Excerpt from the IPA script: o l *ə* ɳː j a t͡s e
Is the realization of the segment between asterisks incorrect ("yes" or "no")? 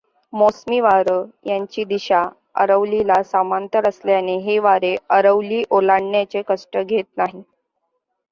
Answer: yes